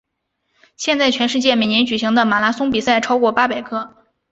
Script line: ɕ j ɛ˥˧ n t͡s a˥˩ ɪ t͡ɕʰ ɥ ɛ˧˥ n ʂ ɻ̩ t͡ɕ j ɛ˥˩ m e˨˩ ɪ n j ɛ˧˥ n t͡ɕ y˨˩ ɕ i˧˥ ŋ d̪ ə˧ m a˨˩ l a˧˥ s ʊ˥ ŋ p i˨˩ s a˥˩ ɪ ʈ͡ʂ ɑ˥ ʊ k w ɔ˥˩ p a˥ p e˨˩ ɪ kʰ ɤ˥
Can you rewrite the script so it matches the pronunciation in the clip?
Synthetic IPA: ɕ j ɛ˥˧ n t͡s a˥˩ ɪ t͡ɕʰ ɥ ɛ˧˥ n ʂ ɻ̩ t͡ɕ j ɛ˥˩ m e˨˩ ɪ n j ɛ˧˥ n t͡ɕ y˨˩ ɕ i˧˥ ŋ d̪ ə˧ m a˨˩ l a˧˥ s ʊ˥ ŋ p i˨˩ s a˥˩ ɪ ʈ͡ʂʰ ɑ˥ ʊ k w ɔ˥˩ p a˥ p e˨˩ ɪ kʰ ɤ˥

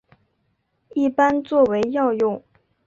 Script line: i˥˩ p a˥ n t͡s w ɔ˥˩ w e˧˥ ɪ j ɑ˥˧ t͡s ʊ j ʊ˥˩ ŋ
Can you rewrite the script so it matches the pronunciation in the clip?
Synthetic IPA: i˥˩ p a˥ n t͡s w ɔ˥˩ w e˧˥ ɪ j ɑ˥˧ ʊ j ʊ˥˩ ŋ

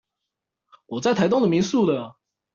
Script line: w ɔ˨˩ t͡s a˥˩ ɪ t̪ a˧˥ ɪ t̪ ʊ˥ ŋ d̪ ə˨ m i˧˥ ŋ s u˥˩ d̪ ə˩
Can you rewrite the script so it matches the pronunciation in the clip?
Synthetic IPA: w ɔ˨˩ t͡s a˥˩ ɪ t̪ʰ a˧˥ ɪ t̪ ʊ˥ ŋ d̪ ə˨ m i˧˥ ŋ s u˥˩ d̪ ə˩

